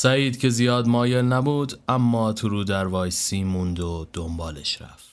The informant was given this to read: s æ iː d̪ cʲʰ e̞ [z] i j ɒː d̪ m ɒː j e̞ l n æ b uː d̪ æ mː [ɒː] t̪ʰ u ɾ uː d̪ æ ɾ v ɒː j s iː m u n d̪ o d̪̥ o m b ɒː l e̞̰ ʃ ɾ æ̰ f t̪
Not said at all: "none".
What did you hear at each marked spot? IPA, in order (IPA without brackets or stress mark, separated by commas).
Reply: z, ɒː